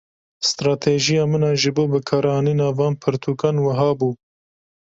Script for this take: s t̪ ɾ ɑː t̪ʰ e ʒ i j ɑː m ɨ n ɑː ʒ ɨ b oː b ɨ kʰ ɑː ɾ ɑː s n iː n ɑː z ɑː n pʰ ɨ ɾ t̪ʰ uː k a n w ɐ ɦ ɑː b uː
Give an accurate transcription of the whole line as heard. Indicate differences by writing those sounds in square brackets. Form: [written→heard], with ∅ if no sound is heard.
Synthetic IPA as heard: s t̪ ɾ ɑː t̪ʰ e ʒ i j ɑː m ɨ n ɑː ʒ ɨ b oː b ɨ kʰ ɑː ɾ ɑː [s→∅] n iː n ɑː [z→v] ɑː n pʰ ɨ ɾ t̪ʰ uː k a n w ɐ ɦ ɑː b uː